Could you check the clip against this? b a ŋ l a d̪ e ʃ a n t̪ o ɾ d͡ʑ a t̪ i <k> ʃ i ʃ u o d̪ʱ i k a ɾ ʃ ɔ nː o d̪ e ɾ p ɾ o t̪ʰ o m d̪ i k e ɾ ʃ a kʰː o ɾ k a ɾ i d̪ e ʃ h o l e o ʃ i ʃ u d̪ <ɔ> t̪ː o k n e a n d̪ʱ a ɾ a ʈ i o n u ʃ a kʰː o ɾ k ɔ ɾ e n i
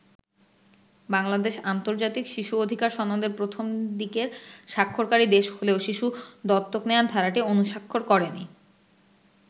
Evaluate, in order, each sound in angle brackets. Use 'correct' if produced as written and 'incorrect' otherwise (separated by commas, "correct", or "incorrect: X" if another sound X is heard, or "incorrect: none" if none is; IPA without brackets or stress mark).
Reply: correct, correct